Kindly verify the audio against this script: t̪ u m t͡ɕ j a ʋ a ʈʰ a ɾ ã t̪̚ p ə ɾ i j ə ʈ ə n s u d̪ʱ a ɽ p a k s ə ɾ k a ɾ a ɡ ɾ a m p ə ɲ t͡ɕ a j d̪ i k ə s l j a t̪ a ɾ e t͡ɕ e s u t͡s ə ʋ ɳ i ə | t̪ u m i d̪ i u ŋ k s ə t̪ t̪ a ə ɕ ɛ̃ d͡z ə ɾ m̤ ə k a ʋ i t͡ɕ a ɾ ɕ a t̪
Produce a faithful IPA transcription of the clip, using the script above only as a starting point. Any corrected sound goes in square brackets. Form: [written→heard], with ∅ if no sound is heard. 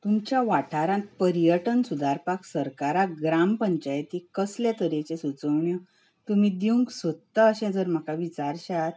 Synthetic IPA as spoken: t̪ u m t͡ɕ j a ʋ a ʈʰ a ɾ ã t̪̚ p ə ɾ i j ə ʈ ə n s u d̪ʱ a [ɽ→ɾ] p a k s ə ɾ k a ɾ a ɡ ɾ a m p ə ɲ t͡ɕ a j [d̪→t̪] i k ə s l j a t̪ [a→ə] ɾ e t͡ɕ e s u t͡s ə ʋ ɳ [i→j] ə | t̪ u m i d̪ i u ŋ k s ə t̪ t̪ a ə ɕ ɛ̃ d͡z ə ɾ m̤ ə k a ʋ i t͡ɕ a ɾ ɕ a t̪